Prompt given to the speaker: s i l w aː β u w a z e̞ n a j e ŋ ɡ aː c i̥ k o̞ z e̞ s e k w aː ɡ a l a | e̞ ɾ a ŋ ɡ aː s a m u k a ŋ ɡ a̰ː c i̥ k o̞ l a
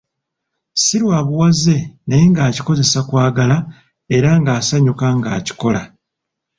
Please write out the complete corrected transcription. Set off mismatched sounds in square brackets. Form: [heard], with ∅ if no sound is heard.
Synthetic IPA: s i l w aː β u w a z e̞ n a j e ŋ ɡ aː c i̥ k o̞ z e̞ s [a] k w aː ɡ a l a | e̞ ɾ a ŋ ɡ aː s a [ɲ] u k a ŋ ɡ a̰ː c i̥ k o̞ l a